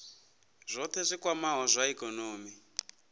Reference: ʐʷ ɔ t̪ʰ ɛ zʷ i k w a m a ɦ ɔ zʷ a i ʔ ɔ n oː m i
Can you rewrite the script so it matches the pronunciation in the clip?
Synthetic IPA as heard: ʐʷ ɔ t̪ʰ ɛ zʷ i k w a m a ɦ ɔ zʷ a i k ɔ n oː m i

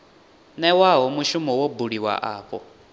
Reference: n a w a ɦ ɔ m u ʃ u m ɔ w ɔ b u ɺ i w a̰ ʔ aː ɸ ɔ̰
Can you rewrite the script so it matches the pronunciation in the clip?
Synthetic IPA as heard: n ɛ w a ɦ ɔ m u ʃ u m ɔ w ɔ b u ɺ i w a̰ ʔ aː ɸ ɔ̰

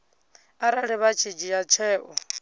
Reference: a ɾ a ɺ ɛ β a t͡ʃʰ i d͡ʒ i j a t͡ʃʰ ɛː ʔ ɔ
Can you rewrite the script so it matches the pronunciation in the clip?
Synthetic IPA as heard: a ɾ a ɺ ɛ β a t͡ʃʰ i d͡ʒ i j a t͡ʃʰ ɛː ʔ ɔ

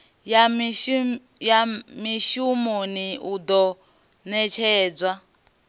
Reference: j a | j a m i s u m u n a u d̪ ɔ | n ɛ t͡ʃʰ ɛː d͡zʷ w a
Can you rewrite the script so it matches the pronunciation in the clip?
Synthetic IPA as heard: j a | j a m i ʃ u m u n i u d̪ ɔ | n ɛ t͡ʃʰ ɛː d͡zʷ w a

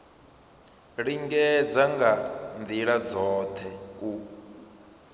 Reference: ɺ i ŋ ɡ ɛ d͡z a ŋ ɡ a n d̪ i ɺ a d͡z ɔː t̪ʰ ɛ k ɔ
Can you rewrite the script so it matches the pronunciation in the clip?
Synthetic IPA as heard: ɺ i ŋ ɡ ɛ d͡z a ŋ ɡ a n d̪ i ɺ a d͡z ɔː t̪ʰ ɛ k u

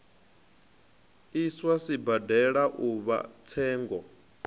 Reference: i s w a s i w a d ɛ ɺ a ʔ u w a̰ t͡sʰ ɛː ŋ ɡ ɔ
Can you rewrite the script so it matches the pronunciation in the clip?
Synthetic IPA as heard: i s w a s i b a d ɛ ɺ a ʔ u β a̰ t͡sʰ ɛː ŋ ɡ ɔ

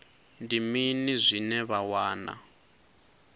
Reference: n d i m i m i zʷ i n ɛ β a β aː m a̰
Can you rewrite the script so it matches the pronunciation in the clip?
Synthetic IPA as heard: n d i m i n i zʷ i n ɛ β a w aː n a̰

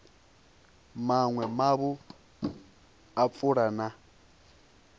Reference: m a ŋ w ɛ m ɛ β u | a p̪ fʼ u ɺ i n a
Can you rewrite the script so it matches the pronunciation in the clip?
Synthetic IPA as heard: m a ŋ w ɛ m a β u | a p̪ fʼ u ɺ a n a

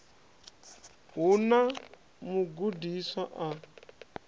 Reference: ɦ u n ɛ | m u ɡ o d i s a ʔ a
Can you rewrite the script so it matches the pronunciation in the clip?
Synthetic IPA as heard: ɦ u n a | m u ɡ u d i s a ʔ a

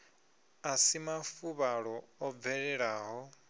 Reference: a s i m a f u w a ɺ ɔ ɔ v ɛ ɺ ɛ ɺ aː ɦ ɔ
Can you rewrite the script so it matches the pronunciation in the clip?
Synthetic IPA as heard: a s i m a f u β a ɺ ɔ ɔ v ɛ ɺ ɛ ɺ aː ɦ ɔ

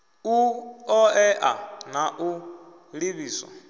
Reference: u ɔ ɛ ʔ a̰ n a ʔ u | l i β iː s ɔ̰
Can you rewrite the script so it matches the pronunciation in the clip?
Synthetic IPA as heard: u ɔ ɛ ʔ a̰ n a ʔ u | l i β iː s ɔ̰

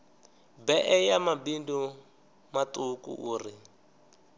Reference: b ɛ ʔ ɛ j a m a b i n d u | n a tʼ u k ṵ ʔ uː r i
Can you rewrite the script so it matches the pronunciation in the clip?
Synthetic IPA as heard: b ɛ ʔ ɛ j a m a b i n d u | m a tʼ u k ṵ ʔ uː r i

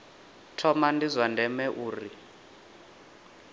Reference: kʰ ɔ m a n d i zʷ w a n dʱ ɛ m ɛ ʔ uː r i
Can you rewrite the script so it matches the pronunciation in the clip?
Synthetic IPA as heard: tʰ ɔ m a n d i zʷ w a n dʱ ɛ m ɛ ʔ uː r i

